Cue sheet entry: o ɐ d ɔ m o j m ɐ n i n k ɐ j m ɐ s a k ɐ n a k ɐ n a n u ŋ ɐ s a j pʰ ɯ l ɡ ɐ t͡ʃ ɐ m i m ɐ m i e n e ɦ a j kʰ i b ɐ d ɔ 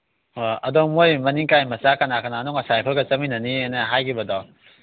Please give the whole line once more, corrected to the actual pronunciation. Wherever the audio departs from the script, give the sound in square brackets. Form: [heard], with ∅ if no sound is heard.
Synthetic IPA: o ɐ d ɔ m o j m ɐ n i [ŋ] k [a] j m ɐ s a k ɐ n a k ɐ n a n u ŋ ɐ s a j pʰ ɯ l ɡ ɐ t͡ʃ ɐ m i [n] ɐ [n] i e n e ɦ a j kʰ i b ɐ d ɔ